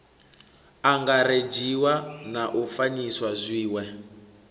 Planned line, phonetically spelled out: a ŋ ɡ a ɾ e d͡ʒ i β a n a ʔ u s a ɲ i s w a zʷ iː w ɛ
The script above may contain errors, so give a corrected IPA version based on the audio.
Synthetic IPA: a ŋ ɡ a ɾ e d͡ʒ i w a n a ʔ u f a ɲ i s w a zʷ iː w ɛ